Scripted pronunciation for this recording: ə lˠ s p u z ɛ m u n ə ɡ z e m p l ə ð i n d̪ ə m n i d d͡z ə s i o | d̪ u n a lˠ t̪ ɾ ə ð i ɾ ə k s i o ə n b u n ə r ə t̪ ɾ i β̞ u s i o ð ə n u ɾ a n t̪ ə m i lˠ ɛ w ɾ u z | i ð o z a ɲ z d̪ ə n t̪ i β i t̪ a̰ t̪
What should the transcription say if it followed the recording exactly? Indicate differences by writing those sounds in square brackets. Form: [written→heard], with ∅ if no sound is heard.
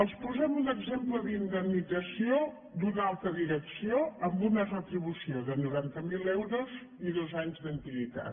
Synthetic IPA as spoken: ə lˠ s p u z ɛ m u n ə ɡ z e m p l ə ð i n d̪ ə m n i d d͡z ə s i o | d̪ u n a lˠ t̪ ɾ ə ð i ɾ ə k s i o ə [n→m] b u n ə r ə t̪ ɾ i β̞ u s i o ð ə n u ɾ a n t̪ ə m i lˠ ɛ w ɾ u z | i ð o z a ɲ z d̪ ə n t̪ i β i t̪ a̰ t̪